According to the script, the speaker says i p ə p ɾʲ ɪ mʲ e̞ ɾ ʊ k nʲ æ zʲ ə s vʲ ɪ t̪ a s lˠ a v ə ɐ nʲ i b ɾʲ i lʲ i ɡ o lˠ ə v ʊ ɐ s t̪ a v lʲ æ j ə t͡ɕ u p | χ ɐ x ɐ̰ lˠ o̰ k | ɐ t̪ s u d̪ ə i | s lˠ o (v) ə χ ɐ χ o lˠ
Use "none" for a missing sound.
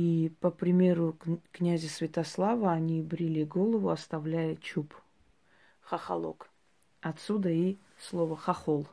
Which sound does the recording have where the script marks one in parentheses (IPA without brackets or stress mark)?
v